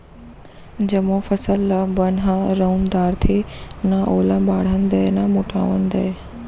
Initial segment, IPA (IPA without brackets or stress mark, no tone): d͡ʑ